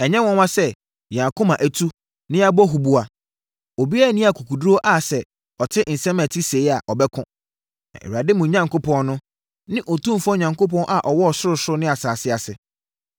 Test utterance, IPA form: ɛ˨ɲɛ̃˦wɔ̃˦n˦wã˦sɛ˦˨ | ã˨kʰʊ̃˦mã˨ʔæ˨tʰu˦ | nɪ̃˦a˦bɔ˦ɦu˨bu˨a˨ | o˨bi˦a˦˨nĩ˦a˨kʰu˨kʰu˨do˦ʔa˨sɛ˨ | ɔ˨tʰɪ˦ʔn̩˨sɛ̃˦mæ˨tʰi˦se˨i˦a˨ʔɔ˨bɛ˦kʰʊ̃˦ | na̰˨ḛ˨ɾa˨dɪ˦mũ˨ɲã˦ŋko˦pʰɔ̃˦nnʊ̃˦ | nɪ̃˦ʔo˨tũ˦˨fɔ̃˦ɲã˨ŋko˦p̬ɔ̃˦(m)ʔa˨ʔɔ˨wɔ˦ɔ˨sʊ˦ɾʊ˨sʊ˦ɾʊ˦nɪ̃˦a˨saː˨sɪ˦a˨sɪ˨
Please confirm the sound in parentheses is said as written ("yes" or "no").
no